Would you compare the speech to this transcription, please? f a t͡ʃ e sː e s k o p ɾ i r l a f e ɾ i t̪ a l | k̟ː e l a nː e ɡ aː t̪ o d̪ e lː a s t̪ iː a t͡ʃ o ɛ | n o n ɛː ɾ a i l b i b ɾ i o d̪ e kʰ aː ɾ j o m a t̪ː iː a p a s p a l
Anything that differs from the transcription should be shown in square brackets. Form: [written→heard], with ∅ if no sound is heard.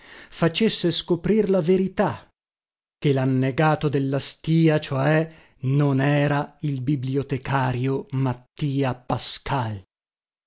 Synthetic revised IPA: f a t͡ʃ e sː e s k o p ɾ i r l a [f→v] e ɾ i t̪ a [l→∅] | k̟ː e l a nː e ɡ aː t̪ o d̪ e lː a s t̪ iː a t͡ʃ o ɛ | n o n ɛː ɾ a i l b i b [ɾ→l] i o [d̪→t̪] e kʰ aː ɾ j o m a t̪ː iː a p a s [p→k] a l